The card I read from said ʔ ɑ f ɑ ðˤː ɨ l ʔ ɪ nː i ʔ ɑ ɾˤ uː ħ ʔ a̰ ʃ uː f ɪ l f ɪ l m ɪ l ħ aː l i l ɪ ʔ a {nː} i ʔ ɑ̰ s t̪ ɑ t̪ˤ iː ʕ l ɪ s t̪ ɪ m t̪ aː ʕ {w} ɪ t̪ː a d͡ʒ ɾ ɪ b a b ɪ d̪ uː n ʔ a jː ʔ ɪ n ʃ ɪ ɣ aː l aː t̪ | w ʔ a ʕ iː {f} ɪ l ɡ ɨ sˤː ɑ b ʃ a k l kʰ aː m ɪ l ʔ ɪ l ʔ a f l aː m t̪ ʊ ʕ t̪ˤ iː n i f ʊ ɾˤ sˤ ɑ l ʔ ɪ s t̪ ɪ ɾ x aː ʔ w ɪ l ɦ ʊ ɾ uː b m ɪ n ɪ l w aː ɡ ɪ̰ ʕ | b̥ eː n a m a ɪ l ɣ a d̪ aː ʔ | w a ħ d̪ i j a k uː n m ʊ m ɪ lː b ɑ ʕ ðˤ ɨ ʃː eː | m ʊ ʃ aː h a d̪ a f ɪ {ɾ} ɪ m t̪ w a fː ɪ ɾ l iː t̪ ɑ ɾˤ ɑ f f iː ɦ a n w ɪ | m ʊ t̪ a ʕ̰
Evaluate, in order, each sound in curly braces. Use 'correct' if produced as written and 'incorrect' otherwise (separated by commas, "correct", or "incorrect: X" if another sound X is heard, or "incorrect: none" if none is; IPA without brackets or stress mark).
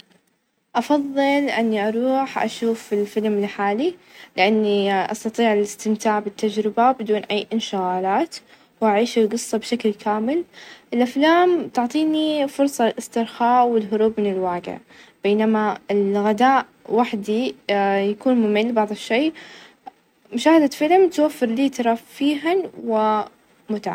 correct, incorrect: b, incorrect: ʃ, incorrect: l